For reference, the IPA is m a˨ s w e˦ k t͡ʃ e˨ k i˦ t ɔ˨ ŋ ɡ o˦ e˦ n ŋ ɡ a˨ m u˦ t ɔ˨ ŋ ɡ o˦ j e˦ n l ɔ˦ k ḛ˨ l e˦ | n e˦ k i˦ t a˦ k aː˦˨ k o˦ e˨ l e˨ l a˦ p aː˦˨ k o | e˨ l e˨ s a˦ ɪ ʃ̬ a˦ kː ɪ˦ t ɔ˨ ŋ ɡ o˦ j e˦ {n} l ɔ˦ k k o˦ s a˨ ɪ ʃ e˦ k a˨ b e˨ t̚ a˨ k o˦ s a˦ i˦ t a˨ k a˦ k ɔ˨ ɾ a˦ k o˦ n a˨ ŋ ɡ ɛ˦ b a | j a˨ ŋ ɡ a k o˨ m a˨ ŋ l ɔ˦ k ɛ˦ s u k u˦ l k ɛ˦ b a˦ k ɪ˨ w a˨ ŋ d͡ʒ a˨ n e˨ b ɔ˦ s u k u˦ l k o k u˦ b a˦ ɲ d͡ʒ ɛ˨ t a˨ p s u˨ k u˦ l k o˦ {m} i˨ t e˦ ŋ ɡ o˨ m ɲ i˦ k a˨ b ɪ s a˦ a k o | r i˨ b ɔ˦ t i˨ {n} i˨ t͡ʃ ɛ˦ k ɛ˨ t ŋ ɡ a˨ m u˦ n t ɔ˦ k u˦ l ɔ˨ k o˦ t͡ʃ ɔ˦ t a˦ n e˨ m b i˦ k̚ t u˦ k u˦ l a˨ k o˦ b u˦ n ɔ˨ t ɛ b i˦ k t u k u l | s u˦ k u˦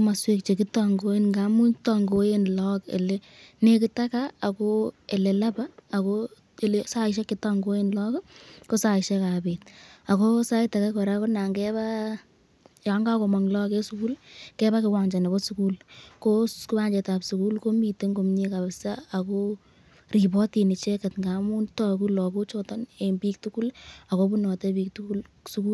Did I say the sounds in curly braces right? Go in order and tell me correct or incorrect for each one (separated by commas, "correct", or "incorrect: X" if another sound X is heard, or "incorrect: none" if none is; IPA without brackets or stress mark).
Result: correct, correct, correct